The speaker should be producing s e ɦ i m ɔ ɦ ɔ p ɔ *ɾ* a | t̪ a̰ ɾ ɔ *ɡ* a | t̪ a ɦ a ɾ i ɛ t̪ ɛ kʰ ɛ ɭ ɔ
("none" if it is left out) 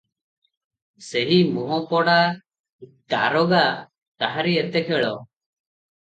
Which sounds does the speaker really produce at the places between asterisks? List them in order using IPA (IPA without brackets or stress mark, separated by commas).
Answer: ɽ, ɡ